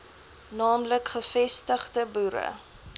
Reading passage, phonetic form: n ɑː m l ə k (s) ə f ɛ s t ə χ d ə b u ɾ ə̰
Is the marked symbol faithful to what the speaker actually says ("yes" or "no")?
no